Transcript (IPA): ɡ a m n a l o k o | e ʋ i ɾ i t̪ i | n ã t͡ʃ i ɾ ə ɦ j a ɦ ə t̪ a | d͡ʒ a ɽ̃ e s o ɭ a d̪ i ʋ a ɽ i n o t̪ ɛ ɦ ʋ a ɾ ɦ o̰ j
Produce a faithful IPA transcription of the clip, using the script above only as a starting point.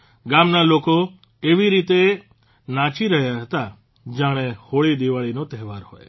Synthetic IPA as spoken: ɡ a m n a l o k o | e ʋ i ɾ i t̪ e | n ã t͡ʃ i ɾ ə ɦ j a ɦ ə t̪ a | d͡ʒ a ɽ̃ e h o ɭ i d̪ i ʋ a ɭ i n o t̪ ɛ ɦ ʋ a ɾ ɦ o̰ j

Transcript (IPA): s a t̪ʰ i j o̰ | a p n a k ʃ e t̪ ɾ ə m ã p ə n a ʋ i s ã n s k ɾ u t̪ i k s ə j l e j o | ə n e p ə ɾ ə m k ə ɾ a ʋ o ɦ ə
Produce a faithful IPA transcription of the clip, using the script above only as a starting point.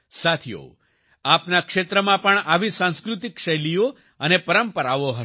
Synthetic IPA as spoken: s a t̪ʰ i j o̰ | a p n a k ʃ e t̪ ɾ ə m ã p ə ɳ a ʋ i s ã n s k ɾ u t̪ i k ʃ ə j l i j o | ə n e p ə ɾ ə m p ə ɾ a ʋ o ɦ ə

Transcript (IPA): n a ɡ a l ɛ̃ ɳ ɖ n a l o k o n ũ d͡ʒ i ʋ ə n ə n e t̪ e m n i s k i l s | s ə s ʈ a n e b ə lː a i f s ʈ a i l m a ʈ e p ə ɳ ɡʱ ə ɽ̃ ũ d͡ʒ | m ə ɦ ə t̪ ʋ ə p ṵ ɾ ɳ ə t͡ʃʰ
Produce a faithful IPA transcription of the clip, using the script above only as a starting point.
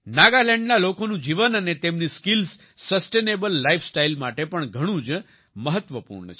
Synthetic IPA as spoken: n a ɡ a l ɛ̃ ɳ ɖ n a l o k o n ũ d͡ʒ i ʋ ə n ə n e t̪ e m n i s k i l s | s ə s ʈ e n e b ə lː a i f s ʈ a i l m a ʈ e p ə ɳ ɡʱ ə ɽ̃ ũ d͡ʒ | m ə ɦ ə t̪ ʋ ə p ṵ ɾ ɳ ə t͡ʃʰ

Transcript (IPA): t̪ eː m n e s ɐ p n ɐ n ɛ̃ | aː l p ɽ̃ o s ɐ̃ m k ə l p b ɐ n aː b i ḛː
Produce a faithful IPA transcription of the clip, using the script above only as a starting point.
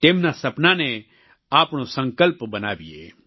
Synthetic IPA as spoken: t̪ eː m n a s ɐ p n a n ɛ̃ | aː p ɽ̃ o s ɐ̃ ŋ k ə l p b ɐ n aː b i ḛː

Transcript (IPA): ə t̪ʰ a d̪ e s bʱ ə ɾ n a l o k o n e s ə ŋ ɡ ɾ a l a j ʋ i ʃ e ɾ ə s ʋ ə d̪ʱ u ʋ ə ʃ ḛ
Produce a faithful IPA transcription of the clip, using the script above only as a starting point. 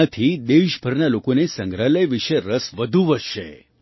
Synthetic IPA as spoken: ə t̪ʰ i d̪ e ʃ bʱ ə ɾ n a l o k o n e s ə ŋ ɡ ɾ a l ə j ʋ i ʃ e ɾ ə s ʋ ə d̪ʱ u ʋ ə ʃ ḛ

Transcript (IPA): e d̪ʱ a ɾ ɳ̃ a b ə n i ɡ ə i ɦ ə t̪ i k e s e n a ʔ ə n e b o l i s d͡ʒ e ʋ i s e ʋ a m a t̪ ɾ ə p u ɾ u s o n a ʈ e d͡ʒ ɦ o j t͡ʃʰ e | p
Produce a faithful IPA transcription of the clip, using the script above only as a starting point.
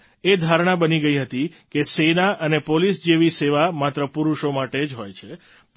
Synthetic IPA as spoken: e d̪ʱ a ɾ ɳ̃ a b ə n i ɡ ə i ɦ ə t̪ i k e s e n a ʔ ə n e p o l i s d͡ʒ e ʋ i s e ʋ a m a t̪ ɾ ə p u ɾ u ʃ o m a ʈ e d͡ʒ ɦ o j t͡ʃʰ e | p

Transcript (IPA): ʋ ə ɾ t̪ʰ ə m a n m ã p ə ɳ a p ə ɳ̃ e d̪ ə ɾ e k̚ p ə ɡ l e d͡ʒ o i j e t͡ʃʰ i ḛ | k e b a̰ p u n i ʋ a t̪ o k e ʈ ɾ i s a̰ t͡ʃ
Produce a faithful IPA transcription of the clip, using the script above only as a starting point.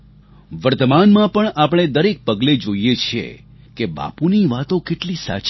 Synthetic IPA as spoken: ʋ ə ɾ t̪ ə m a n m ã p ə ɳ a p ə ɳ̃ e d̪ ə ɾ e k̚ p ə ɡ l e d͡ʒ o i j e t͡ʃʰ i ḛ | k e b a̰ p u n i ʋ a t̪ o k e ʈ l i s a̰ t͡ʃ

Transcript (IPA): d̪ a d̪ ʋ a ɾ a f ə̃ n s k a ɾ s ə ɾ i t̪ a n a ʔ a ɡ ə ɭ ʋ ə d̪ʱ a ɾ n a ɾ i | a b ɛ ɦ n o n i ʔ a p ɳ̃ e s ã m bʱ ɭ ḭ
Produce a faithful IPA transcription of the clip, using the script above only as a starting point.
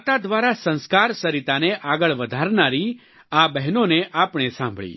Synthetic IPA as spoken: t̪ a d̪ ʋ a ɾ a s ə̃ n s k a ɾ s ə ɾ i t̪ a n e ʔ a ɡ ə ɭ ʋ ə d̪ʱ a ɾ n a ɾ i | a b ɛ ɦ n o n e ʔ a p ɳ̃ e s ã m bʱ ɭ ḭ

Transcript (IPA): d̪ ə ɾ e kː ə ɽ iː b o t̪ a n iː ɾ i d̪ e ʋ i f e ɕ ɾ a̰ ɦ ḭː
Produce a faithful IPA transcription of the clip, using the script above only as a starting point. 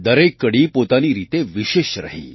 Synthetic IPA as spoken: d̪ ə ɾ e kː ə ɽ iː p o t̪ a n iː ɾ i t̪ e ʋ i ɕ e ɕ ɾ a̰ ɦ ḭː

